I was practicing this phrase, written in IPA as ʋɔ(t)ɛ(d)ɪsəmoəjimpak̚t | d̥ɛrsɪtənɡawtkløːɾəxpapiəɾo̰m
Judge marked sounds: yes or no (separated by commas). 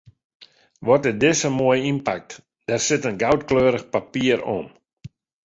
yes, yes